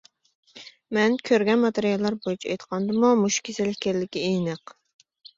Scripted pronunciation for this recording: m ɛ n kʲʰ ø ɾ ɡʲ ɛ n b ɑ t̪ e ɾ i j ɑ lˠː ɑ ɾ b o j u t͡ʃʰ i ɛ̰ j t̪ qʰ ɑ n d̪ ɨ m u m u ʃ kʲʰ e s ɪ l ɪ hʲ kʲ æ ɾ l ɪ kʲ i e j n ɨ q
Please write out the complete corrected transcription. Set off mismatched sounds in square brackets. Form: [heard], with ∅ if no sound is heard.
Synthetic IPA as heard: m ɛ n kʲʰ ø ɾ ɡʲ ɛ n [m] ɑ t̪ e ɾ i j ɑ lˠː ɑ ɾ b o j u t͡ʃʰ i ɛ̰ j t̪ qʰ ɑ n d̪ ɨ m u m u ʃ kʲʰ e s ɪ l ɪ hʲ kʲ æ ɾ l ɪ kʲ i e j n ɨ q